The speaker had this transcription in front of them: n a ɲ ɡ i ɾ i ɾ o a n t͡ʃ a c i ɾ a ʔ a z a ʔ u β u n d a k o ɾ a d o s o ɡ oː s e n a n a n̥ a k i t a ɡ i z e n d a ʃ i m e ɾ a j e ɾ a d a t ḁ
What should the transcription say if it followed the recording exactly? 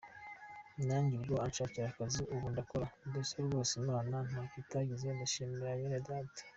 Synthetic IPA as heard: n a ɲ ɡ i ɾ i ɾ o a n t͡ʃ a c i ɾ a k a z i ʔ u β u n d a k o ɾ a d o s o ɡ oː s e n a n a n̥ a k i t a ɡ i z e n d a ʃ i m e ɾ a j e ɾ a d a t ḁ

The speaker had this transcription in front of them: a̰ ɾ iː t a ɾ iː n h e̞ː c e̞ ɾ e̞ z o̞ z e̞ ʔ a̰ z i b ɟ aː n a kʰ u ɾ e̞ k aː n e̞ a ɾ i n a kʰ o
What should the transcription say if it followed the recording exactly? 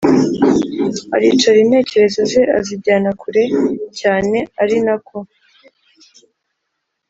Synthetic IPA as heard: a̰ ɾ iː t͡ʃ a ɾ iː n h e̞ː c e̞ ɾ e̞ z o̞ z e̞ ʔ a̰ z i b ɟ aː n a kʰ u ɾ e̞ c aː n e̞ a ɾ i n a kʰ o

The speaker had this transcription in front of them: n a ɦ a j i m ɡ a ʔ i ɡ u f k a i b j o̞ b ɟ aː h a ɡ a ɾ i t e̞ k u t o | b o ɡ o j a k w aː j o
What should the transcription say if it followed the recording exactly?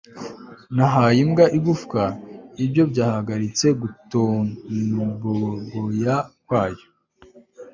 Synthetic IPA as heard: n a ɦ a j i m ɡ a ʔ i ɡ u f k a i b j o̞ b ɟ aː h a ɡ a ɾ i t͡s e̞ ɡ u t o | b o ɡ o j a k w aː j o

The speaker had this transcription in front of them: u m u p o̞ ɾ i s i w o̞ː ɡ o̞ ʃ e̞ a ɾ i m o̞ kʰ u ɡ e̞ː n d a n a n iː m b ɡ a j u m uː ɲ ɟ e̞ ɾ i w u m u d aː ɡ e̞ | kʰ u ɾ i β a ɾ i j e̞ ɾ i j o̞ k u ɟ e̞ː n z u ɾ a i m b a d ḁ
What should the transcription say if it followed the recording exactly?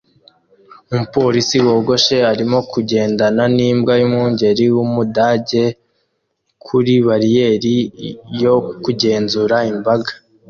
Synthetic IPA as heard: u m u p o̞ ɾ i s i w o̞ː ɡ o̞ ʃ e̞ a ɾ i m o̞ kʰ u ɟ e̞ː n d a n a n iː m b ɡ a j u m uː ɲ ɟ e̞ ɾ i w u m u d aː ɟ e̞ | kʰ u ɾ i β a ɾ i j e̞ ɾ i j o̞ k u ɟ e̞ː n z u ɾ a i m b a ɡ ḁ

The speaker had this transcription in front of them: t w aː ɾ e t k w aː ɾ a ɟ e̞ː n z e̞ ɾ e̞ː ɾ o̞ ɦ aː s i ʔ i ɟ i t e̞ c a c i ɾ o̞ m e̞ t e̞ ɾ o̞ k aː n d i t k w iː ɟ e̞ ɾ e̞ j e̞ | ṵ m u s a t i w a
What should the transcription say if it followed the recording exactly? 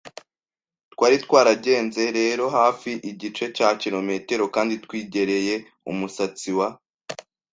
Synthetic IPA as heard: t w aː ɾ i t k w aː ɾ a ɟ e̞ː n z e̞ ɾ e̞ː ɾ o̞ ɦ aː f i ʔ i ɟ i t͡ʃ e̞ c a c i ɾ o̞ m e̞ t e̞ ɾ o̞ k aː n d i t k w iː ɟ e̞ ɾ e̞ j e̞ | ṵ m u s a t͡s i w a

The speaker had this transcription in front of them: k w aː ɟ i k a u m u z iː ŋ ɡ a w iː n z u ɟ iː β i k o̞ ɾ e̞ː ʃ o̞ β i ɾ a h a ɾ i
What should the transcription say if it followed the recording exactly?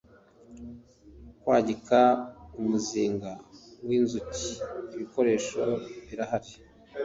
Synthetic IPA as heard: k w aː ɟ i k a u m u z iː ŋ ɡ a w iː n z u c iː β i k o̞ ɾ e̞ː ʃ o̞ β i ɾ a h a ɾ i

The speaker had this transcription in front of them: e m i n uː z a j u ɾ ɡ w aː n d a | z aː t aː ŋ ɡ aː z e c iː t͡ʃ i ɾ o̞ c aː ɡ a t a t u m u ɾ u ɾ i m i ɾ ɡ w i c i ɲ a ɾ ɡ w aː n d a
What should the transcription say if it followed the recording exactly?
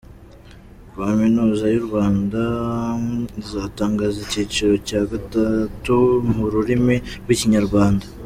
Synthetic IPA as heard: a m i n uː z a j u ɾ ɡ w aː n d a | z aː t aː ŋ ɡ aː z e c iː t͡ʃ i ɾ o̞ c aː ɡ a t a t u m u ɾ u ɾ i m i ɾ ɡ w i c i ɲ a ɾ ɡ w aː n d a

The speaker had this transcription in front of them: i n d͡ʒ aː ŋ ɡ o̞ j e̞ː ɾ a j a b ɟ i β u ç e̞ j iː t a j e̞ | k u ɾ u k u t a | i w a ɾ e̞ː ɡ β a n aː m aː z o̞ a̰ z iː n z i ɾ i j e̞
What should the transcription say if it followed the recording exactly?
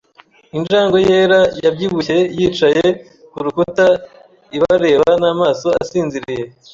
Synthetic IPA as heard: i n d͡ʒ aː ŋ ɡ o̞ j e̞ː ɾ a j a b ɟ i β u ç e̞ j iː t͡ʃ a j e̞ | k u ɾ u k u t a | i β a ɾ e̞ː β a n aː m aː s o̞ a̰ s iː n z i ɾ i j e̞

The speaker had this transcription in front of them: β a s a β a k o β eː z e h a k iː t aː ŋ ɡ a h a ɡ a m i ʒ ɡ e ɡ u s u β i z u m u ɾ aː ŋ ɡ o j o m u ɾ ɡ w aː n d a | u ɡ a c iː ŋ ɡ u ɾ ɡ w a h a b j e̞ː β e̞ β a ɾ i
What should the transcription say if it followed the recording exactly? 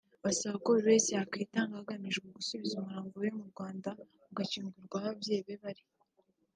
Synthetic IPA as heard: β a s a β a k o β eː s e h a k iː t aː ŋ ɡ a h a ɡ a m i ʒ ɡ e ɡ u s u β i z u m u ɾ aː ŋ ɡ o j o m u ɾ ɡ w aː n d a | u ɡ a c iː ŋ ɡ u ɾ ɡ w a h a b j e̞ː β e̞ β a ɾ i

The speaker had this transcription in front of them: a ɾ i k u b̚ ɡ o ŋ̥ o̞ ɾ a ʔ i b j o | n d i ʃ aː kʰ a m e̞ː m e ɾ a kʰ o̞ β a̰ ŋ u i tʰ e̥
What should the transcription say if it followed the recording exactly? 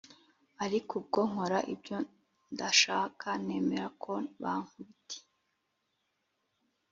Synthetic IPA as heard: a ɾ i k u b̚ ɡ o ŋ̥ o̞ ɾ a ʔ i b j o | n d a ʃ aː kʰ a n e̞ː m e ɾ a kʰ o̞ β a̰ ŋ u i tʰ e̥

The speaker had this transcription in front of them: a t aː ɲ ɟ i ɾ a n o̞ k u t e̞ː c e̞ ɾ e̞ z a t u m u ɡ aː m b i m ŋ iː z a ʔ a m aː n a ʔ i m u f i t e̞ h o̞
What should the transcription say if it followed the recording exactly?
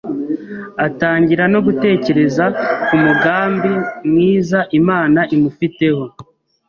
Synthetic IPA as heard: a t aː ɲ ɟ i ɾ a n o̞ ɡ u t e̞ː c e̞ ɾ e̞ z a k u m u ɡ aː m b i m ŋ iː z a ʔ i m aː n a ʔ i m u f i t e̞ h o̞

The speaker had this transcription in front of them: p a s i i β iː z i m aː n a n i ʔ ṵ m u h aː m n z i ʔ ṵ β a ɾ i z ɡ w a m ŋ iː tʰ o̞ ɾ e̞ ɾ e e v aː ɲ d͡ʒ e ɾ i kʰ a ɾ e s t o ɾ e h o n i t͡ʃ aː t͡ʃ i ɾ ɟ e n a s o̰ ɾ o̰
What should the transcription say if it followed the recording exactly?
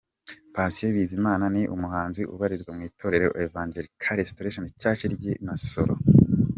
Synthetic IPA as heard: p a s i e β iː z i m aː n a n i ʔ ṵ m u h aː n z i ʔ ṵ β a ɾ i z ɡ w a m ŋ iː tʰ o̞ ɾ e̞ ɾ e e v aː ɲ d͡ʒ e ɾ i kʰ a ɾ e s t o ɾ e ʃ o n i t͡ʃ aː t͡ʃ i ɾ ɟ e n a s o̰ ɾ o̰

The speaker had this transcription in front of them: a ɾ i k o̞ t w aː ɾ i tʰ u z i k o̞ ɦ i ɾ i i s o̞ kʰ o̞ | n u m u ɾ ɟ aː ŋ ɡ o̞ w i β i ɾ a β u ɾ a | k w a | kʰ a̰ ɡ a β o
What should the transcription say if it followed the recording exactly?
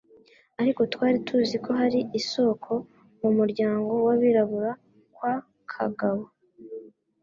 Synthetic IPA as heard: a ɾ i k o̞ t w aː ɾ i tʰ u z i k o̞ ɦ a ɾ i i s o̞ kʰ o̞ | m u m u ɾ ɟ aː ŋ ɡ o̞ w a β i ɾ a β u ɾ a | k w a | kʰ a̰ ɡ a β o

